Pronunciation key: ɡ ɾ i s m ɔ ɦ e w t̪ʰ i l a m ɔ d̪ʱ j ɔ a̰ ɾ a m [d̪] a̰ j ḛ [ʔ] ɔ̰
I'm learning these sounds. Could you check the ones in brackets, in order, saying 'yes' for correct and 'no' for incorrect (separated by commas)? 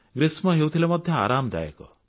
yes, no